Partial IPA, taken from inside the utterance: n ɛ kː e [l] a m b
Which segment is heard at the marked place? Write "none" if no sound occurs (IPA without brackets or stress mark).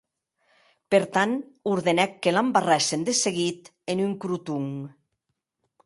l